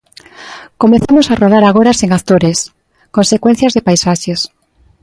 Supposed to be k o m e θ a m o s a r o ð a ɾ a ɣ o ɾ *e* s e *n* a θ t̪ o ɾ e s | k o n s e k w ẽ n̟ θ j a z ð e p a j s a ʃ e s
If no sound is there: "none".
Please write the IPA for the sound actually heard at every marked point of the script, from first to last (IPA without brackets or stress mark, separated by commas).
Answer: a, ŋ